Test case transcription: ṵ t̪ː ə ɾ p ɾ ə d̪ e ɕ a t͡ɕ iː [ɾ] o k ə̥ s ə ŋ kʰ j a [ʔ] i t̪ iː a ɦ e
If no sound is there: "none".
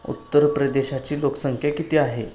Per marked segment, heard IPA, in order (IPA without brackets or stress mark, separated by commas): l, k